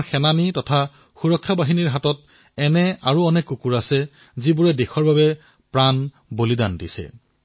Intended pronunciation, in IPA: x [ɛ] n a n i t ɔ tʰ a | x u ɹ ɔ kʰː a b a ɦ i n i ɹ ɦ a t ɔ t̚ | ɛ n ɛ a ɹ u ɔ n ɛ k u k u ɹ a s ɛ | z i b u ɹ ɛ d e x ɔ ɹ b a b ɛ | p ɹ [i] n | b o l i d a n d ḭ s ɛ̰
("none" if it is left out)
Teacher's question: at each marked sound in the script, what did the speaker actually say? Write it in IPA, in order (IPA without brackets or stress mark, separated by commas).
ɛ, a